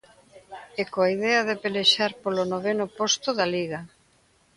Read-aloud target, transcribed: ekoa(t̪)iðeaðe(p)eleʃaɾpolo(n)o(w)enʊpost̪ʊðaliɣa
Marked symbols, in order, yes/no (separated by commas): no, yes, yes, no